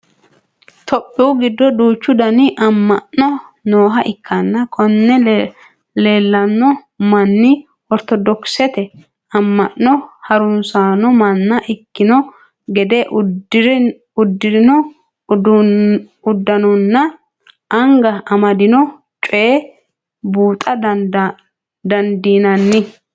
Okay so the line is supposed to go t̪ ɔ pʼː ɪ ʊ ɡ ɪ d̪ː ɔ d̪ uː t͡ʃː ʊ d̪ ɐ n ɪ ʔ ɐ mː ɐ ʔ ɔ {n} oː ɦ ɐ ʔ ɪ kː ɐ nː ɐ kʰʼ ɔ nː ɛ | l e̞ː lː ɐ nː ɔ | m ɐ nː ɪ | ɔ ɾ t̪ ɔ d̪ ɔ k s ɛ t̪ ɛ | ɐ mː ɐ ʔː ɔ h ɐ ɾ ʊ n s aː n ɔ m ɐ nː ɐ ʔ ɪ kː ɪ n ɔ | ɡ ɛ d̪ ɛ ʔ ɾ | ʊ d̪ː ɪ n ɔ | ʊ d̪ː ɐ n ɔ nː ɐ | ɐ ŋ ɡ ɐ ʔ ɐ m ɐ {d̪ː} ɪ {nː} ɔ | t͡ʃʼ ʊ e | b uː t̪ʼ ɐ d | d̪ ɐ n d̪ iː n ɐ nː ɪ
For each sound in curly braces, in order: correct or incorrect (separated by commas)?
correct, incorrect, incorrect